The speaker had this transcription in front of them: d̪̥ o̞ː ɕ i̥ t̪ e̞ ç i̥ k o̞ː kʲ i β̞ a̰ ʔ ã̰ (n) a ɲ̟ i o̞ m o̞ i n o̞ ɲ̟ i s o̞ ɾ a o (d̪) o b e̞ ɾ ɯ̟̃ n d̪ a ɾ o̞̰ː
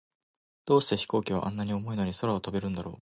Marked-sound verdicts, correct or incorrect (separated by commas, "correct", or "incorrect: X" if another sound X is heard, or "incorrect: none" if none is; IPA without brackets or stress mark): incorrect: nː, incorrect: t̪